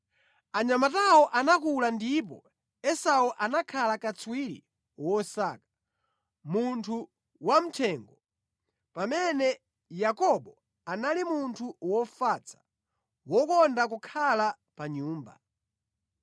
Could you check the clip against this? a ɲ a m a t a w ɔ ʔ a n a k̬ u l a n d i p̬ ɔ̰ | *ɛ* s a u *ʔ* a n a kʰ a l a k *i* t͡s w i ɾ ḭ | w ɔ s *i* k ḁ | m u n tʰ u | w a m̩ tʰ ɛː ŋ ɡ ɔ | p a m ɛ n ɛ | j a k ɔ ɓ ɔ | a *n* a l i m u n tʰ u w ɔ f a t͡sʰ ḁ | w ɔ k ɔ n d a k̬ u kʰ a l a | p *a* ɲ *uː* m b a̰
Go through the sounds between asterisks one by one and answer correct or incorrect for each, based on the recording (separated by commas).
correct, correct, incorrect, incorrect, correct, correct, correct